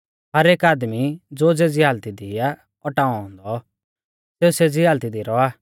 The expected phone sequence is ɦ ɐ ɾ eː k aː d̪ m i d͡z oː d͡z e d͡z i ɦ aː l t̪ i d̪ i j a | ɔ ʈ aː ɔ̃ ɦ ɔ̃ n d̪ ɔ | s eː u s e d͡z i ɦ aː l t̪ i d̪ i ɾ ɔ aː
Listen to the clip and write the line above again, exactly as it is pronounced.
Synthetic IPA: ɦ ɐ ɾ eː k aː d̪ m i d͡z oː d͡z e d͡z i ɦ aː l t̪ i d̪ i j a | ɔ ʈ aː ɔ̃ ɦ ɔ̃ n d̪ ɔ | s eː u s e d͡z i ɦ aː l t̪ i d̪ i ɾ ɔ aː